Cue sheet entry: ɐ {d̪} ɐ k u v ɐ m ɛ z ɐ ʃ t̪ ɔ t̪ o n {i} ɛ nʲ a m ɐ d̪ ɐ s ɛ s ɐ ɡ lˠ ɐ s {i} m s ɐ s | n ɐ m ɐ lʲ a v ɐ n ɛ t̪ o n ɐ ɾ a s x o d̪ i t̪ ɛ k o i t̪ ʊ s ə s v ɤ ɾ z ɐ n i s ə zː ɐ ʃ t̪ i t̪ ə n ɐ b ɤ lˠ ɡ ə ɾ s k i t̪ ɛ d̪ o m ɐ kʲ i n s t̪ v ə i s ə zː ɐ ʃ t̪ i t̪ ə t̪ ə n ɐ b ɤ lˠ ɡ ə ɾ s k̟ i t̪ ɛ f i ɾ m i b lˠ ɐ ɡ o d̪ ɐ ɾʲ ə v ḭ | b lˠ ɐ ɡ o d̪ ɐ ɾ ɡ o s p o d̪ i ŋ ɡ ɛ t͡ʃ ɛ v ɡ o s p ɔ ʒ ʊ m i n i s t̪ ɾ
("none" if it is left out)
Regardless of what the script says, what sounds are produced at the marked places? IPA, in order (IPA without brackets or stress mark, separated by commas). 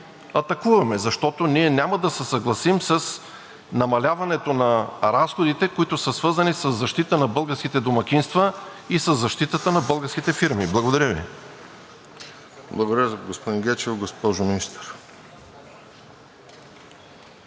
t̪, i, i